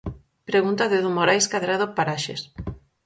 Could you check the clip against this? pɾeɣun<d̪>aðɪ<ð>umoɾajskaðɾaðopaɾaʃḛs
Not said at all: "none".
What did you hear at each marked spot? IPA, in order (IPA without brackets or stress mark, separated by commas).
t̪, ð